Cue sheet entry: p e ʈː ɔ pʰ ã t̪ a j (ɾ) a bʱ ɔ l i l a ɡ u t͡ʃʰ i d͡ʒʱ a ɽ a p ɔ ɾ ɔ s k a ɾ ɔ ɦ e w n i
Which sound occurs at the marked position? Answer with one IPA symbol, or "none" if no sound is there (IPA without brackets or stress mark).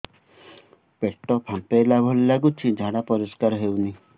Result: l